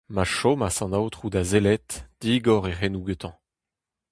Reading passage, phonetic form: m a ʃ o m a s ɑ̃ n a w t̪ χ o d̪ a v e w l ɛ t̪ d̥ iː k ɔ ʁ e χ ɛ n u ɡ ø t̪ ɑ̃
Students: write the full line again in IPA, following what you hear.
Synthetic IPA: m a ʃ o m a s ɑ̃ n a w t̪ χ u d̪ a z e l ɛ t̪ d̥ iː ɡ ɔ ʁ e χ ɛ n u ɡ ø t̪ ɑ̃